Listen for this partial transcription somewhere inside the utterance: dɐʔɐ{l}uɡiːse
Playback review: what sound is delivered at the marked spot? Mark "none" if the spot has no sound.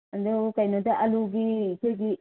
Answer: l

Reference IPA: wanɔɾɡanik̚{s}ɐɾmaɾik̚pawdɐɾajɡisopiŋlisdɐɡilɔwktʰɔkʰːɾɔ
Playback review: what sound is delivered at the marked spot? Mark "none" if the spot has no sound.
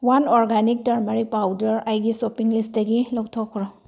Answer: t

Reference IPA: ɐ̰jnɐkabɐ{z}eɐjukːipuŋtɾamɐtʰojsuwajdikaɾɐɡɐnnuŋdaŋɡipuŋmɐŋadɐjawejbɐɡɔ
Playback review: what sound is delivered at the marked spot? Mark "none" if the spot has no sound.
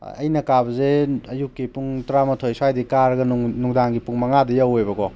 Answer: z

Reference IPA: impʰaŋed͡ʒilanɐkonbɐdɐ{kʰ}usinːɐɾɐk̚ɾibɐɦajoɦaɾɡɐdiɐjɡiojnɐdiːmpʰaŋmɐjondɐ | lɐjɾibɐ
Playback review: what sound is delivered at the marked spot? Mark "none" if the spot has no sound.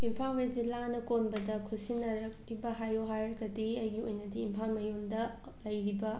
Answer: kʰ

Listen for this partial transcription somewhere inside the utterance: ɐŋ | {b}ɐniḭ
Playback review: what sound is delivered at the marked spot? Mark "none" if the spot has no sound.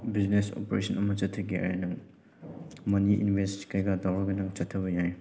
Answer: m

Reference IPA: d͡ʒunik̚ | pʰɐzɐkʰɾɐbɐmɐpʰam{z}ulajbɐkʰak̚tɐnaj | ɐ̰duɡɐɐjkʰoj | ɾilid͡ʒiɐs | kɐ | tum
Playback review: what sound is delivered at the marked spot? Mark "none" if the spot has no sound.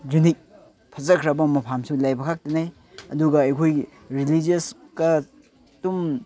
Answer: s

